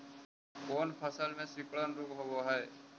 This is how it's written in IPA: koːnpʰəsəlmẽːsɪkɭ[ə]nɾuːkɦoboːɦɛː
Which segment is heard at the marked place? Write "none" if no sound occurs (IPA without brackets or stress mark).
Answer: ə